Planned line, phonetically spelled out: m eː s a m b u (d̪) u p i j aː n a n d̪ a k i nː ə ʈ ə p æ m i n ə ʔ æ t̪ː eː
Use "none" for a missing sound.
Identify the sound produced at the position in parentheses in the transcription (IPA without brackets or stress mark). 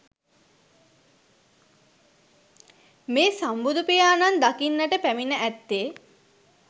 d̪